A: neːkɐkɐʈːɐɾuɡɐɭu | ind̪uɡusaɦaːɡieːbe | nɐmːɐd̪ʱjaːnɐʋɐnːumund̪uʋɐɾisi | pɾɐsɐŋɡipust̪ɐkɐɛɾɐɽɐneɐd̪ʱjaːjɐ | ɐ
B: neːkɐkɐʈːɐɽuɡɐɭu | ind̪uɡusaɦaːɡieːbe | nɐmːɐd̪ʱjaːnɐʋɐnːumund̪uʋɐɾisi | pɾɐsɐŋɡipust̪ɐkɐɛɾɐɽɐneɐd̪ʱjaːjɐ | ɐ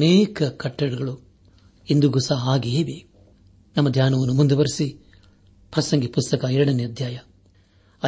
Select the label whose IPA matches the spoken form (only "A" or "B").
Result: B